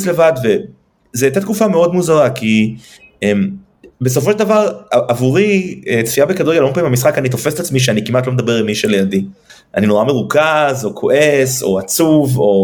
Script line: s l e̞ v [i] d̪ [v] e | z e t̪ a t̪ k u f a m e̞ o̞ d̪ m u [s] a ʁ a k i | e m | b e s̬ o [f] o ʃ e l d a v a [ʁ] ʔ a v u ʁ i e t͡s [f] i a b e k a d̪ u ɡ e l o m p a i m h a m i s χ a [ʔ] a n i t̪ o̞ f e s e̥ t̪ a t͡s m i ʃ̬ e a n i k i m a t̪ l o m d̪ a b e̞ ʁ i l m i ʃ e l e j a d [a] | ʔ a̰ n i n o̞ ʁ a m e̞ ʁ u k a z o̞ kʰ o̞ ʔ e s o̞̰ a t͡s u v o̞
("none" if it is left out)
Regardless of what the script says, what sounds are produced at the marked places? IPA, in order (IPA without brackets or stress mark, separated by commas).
a, v, z, f, ʁ, f, k, i